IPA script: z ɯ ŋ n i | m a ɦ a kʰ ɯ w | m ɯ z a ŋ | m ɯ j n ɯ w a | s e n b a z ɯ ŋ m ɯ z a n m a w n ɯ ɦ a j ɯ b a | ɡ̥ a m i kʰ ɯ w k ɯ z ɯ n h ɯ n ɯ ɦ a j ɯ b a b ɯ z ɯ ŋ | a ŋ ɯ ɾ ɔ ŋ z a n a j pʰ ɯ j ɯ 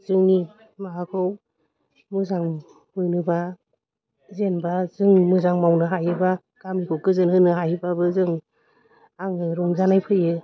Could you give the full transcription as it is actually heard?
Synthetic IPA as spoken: z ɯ ŋ n i | m a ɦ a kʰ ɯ w | m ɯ z a ŋ | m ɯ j n ɯ b a | z e n b a z ɯ ŋ m ɯ z a ŋ m a w n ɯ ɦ a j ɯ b a | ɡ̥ a m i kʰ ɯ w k ɯ z ɯ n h ɯ n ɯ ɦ a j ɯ b a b ɯ z ɯ ŋ | a ŋ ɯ ɾ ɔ ŋ z a n a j pʰ ɯ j ɯ